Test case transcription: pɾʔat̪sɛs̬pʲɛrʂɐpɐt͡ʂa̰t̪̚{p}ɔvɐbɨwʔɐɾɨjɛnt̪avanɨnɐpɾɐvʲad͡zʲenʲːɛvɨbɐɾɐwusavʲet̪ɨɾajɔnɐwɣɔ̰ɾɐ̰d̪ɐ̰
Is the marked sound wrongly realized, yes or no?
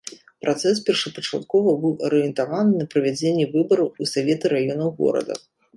yes